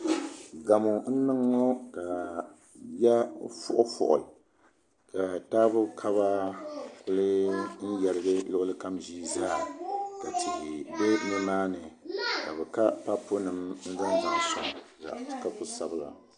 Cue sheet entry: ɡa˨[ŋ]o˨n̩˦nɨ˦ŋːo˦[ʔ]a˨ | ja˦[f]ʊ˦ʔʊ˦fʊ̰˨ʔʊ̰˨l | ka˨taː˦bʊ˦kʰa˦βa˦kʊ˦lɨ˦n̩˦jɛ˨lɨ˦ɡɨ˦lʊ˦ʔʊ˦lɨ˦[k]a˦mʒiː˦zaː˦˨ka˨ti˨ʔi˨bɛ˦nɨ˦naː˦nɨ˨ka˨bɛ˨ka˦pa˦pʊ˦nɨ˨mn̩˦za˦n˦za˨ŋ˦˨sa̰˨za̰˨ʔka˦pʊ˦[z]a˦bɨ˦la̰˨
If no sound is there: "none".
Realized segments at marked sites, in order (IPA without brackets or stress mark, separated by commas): m, k, f, k, s